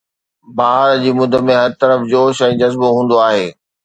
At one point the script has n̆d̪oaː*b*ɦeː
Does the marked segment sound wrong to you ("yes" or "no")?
yes